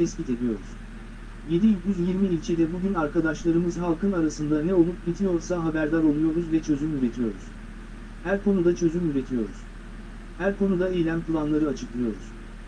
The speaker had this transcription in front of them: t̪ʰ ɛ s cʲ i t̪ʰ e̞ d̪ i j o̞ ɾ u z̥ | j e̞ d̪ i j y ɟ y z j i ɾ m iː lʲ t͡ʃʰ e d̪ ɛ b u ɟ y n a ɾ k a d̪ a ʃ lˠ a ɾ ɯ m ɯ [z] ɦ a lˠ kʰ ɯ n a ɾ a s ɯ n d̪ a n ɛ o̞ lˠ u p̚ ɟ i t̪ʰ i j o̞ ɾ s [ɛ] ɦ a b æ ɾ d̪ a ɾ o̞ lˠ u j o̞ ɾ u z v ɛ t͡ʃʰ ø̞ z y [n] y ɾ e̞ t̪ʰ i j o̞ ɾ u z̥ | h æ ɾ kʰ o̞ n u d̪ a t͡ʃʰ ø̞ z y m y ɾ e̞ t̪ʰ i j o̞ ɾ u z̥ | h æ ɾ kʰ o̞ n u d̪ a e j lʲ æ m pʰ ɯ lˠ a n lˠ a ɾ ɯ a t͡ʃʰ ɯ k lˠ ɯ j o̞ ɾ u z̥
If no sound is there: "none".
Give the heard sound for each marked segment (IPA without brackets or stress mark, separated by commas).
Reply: z, a, m